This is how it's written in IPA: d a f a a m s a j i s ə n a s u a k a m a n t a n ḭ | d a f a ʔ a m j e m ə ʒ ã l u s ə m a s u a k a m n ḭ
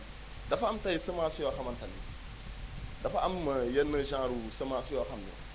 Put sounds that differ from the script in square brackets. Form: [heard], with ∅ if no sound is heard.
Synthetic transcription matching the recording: d a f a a m [t] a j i s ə [m] a s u a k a m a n t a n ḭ | d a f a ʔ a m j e [n] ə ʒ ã [ɾ] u s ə m a s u a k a m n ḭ